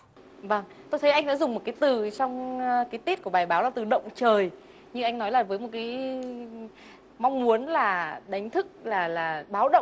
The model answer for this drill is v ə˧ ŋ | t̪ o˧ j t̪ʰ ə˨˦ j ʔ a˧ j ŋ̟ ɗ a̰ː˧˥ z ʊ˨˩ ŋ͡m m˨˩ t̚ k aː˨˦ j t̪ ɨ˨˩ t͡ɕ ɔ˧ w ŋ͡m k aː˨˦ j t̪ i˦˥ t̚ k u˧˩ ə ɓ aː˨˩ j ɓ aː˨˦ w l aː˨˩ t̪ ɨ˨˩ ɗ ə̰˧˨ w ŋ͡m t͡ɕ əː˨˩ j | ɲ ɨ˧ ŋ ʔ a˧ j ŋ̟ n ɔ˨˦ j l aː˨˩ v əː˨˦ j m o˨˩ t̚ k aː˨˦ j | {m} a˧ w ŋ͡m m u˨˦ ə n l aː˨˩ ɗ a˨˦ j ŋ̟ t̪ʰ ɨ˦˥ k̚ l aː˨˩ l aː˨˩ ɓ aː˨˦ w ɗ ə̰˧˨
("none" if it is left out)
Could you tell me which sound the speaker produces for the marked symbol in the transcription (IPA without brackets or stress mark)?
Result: m